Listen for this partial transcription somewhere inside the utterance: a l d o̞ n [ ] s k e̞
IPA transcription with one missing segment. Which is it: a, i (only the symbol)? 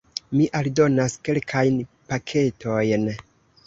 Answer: a